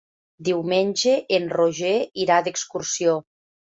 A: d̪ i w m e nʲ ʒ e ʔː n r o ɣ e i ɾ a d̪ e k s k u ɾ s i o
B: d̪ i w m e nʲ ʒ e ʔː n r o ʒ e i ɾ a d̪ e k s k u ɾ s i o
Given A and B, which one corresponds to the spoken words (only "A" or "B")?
B